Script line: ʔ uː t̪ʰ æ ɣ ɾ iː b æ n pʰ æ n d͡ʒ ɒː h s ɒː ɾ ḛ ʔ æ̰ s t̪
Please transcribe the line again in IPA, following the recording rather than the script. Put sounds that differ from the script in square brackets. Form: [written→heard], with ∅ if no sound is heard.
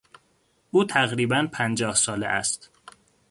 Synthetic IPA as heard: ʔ uː t̪ʰ æ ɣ ɾ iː b æ n pʰ æ n d͡ʒ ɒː h s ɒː [ɾ→l] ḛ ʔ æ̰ s t̪